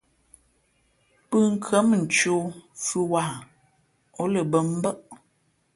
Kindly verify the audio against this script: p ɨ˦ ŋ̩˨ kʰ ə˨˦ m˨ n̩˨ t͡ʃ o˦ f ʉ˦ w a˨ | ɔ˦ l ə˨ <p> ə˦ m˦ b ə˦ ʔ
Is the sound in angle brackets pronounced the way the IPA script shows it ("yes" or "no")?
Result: no